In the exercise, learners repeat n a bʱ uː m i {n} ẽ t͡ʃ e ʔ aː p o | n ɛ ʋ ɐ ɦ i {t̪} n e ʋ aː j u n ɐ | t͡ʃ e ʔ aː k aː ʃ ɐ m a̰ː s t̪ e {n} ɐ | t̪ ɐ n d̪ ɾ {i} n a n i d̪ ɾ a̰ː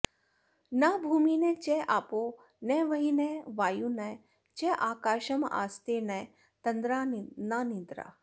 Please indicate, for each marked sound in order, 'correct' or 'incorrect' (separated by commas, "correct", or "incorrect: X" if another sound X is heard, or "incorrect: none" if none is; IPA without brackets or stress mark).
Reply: correct, incorrect: none, correct, incorrect: a